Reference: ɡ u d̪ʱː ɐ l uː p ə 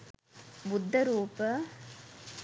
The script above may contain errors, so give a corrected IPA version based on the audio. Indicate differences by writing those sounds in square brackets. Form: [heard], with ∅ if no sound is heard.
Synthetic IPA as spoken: [b] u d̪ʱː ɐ [ɾ] uː p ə